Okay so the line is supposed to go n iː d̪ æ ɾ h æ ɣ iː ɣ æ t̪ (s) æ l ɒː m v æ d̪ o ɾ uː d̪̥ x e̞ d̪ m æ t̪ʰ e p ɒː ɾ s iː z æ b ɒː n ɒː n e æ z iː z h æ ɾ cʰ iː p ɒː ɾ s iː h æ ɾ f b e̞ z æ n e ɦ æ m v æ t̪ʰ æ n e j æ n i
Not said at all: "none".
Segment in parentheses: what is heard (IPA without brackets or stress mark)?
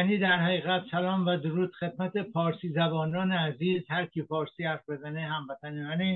s